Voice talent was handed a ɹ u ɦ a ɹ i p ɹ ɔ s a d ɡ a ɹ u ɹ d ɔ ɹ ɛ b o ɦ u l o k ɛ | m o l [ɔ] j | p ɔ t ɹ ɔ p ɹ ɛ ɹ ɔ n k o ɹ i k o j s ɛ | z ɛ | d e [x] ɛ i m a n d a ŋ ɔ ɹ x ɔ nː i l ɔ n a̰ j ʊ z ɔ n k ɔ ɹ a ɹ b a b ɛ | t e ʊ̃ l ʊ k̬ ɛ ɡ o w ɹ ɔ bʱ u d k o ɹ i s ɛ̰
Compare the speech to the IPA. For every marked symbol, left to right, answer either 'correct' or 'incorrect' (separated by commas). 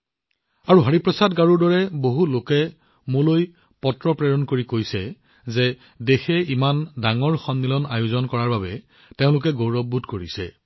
incorrect, correct